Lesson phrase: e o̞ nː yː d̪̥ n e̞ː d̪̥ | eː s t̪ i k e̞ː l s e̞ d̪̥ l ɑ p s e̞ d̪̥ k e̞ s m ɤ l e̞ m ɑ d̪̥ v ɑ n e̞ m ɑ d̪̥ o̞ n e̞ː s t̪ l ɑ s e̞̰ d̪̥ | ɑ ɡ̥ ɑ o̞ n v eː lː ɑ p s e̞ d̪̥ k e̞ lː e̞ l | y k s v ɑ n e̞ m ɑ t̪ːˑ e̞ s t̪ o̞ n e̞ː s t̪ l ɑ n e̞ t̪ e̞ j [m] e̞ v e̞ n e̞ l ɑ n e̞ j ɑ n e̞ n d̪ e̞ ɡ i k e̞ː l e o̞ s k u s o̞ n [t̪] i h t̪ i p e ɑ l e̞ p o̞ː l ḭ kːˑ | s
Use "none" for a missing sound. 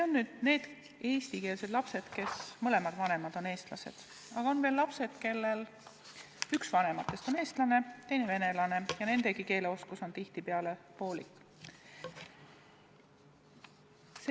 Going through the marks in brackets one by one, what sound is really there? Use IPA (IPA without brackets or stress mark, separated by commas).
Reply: n, t̪